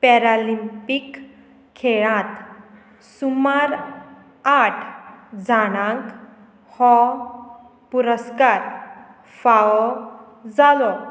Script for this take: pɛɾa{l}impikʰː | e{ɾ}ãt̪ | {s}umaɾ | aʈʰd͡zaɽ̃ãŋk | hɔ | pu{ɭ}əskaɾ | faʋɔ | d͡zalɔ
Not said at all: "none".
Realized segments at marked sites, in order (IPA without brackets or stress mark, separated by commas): l, ɭ, s, ɾ